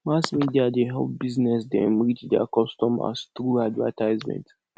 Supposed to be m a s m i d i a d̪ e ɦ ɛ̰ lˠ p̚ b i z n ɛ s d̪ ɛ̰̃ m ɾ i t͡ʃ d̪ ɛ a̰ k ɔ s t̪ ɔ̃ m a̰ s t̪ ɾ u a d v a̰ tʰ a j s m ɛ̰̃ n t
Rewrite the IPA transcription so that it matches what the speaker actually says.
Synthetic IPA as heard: m a s m i d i a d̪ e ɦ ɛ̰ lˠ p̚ b i z n ɛ s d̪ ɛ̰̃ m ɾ i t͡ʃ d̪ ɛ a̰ k ɔ s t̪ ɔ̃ m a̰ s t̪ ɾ u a d v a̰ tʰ a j z m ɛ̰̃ n t